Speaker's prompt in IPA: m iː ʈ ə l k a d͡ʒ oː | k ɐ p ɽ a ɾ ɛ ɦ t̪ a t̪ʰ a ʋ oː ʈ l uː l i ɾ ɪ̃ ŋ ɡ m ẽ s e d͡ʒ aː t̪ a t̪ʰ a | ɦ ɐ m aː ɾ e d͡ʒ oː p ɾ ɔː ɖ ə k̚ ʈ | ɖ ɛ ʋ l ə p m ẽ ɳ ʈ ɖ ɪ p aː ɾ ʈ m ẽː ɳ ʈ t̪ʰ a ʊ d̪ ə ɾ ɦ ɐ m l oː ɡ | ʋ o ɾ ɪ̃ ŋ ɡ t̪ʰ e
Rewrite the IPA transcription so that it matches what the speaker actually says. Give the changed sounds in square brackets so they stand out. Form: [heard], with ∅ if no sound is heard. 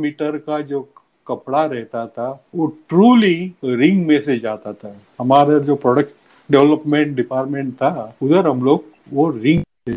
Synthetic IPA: m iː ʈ ə [ɾ] k a d͡ʒ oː | k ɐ p ɽ a ɾ ɛ ɦ t̪ a t̪ʰ a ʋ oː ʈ [ɾ] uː l i ɾ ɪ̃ ŋ ɡ m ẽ s e d͡ʒ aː t̪ a t̪ʰ a | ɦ ɐ m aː ɾ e d͡ʒ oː p ɾ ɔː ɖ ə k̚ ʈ | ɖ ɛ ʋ l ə p m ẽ ɳ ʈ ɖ ɪ p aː ɾ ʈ m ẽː ɳ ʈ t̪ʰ a ʊ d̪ ə ɾ ɦ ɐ m l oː ɡ | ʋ o ɾ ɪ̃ ŋ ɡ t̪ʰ e